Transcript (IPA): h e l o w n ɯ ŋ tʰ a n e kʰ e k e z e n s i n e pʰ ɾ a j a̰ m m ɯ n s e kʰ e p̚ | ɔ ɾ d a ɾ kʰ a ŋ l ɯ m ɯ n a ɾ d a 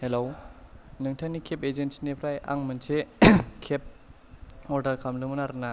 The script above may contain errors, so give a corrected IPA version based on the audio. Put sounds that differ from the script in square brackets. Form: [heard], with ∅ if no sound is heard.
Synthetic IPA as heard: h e l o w n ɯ ŋ tʰ a n [i] kʰ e [p] e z e n s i n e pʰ ɾ a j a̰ [ŋ] m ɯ n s e kʰ e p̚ | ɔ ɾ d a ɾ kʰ a [m] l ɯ m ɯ n a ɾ [n] a